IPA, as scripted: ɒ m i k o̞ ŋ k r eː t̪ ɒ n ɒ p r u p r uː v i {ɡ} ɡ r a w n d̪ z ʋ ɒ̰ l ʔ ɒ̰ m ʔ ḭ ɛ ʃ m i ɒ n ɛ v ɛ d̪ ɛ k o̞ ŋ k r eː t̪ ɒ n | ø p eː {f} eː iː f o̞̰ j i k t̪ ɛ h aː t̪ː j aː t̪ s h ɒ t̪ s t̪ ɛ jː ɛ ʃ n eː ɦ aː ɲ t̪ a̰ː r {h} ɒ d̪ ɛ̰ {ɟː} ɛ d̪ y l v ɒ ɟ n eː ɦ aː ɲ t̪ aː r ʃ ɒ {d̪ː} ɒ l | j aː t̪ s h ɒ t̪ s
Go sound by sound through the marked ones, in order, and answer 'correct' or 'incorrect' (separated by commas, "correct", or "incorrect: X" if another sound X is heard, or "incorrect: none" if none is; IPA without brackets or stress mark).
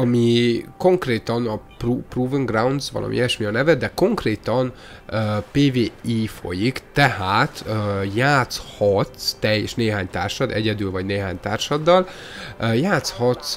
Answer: incorrect: ŋ, incorrect: v, incorrect: ʃ, incorrect: ɟ, correct